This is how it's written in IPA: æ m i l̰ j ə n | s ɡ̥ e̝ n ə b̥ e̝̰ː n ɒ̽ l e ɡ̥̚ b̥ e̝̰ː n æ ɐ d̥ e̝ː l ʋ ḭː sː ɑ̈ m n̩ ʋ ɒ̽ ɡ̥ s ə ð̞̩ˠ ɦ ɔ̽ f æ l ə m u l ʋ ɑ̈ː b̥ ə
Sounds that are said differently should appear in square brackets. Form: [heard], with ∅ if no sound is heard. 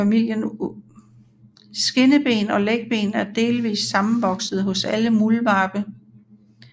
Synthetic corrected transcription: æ m i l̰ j ə n | s ɡ̥ e̝ n ə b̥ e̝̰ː n ɒ̽ l e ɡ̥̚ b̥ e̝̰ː n æ ɐ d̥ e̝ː l ʋ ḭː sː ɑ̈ m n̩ ʋ ɒ̽ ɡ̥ s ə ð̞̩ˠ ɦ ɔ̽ [s] æ l ə m u l ʋ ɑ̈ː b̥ ə